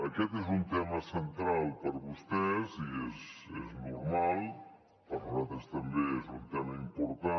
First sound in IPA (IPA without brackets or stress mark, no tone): ə